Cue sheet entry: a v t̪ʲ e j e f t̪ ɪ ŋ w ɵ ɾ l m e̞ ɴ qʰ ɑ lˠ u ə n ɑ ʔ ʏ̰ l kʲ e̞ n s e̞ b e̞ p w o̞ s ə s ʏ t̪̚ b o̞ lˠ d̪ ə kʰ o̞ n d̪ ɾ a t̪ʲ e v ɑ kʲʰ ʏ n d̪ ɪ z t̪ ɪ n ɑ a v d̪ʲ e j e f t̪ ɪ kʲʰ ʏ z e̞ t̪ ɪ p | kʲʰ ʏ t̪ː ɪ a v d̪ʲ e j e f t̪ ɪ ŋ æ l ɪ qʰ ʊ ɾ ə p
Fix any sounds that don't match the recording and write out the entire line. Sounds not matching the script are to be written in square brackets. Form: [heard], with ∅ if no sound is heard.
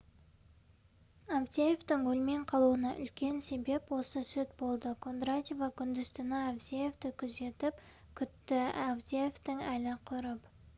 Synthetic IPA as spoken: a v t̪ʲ e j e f t̪ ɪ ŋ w ɵ [∅] l m e̞ ɴ qʰ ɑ lˠ u ə n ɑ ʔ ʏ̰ l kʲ e̞ n s e̞ b e̞ p w o̞ s ə s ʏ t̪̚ b o̞ lˠ d̪ ə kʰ o̞ n d̪ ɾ a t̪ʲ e v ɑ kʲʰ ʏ n d̪ ɪ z t̪ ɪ n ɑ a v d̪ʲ e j e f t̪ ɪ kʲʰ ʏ z e̞ t̪ ɪ p | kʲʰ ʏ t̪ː ɪ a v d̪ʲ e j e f t̪ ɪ ŋ æ l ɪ qʰ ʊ ɾ ə p